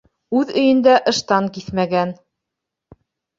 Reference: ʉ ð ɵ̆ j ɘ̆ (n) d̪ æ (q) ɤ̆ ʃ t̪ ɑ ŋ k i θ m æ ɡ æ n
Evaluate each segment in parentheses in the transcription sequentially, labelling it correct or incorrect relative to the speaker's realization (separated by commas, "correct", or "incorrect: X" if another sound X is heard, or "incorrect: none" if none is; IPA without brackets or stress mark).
correct, incorrect: ʔ